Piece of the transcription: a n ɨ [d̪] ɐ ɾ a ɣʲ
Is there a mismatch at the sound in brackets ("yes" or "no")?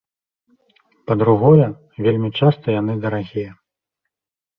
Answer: no